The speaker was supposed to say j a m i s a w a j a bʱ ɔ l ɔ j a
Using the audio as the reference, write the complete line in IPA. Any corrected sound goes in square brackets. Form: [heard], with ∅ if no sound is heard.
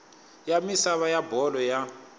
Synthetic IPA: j a m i s a [β] a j a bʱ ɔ l ɔ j a